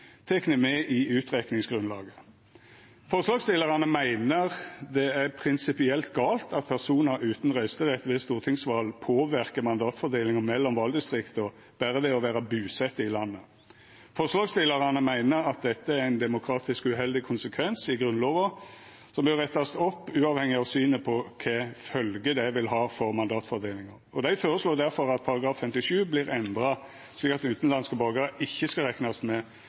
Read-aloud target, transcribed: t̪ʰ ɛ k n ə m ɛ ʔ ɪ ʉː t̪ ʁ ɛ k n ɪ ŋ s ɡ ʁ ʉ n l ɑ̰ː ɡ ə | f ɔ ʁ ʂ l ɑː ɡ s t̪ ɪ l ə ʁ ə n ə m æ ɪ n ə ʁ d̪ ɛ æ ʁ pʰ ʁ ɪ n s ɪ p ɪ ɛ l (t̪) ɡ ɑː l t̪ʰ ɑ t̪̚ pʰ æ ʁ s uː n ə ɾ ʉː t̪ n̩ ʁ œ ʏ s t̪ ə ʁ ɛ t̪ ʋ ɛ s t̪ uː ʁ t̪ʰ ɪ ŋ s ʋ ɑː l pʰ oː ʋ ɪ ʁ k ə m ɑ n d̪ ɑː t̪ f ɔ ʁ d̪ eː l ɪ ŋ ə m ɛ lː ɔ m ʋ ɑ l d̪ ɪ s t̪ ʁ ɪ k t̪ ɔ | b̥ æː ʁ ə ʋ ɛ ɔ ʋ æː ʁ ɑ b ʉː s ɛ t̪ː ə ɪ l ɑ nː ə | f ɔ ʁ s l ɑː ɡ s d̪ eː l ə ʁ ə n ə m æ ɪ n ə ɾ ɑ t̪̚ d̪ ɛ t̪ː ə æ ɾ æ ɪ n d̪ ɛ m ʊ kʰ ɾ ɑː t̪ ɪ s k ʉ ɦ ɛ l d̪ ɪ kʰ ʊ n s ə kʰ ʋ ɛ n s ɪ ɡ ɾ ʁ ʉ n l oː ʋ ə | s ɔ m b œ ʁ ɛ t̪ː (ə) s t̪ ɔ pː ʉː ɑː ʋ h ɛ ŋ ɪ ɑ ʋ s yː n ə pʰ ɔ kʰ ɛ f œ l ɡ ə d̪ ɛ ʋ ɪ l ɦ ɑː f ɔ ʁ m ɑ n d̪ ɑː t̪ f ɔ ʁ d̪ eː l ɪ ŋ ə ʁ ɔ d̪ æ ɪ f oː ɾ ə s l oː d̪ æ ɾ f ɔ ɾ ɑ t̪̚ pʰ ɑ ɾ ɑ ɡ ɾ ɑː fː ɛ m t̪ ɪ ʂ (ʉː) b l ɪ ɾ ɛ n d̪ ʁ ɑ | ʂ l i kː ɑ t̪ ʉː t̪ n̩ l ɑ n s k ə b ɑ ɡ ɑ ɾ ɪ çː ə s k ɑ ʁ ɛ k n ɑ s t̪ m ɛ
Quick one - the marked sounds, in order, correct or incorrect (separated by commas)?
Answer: correct, incorrect, correct